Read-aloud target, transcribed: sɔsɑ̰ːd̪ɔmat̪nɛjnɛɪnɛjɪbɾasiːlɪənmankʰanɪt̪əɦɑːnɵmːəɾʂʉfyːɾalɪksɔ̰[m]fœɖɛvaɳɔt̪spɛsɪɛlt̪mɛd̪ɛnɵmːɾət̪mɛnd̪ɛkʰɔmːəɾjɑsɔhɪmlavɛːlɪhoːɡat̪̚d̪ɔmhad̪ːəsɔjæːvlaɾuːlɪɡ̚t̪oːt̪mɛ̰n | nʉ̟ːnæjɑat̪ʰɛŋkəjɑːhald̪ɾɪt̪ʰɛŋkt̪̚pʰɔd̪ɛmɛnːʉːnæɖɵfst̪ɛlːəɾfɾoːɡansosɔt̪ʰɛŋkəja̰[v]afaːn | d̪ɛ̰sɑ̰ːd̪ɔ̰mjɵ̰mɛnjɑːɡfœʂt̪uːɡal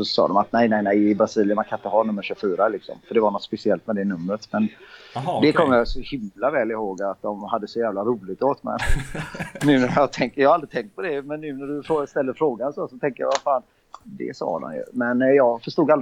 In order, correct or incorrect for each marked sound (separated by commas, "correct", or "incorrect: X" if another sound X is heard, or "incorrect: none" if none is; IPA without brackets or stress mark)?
correct, correct